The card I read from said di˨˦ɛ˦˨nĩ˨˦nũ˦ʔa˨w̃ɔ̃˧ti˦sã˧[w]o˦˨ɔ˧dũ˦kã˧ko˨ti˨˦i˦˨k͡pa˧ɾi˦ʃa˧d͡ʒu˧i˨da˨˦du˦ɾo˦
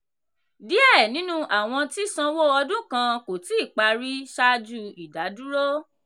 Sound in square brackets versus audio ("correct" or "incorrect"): correct